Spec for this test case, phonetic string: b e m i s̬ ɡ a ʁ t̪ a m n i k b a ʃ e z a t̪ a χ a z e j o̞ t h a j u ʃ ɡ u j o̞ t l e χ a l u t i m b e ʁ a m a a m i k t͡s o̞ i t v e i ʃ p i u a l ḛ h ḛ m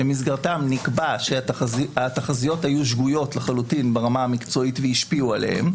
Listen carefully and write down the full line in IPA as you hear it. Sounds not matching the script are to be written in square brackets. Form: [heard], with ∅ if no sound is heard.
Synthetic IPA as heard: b e m i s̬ ɡ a ʁ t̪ a m n i k b a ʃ e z a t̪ a χ a z [i] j o̞ t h a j u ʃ ɡ u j o̞ t l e χ a l u t i [n] b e ʁ a m a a m i k t͡s o̞ i t v e i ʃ p i u a l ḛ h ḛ m